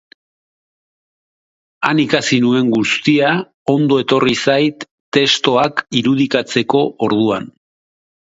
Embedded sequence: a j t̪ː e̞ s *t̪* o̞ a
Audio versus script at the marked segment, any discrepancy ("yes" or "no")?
no